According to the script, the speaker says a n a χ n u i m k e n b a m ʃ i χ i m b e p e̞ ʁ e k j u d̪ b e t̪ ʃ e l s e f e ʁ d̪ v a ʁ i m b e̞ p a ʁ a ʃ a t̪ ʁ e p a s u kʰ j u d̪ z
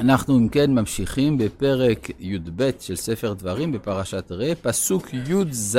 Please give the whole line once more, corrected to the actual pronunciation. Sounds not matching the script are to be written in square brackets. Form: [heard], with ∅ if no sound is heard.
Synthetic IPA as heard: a n a χ n u i m k e n [m] a m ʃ i χ i m b e p e̞ ʁ e k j u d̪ b e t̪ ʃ e l s e f e ʁ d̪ v a ʁ i m b e̞ p a ʁ a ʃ a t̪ ʁ e p a s u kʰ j u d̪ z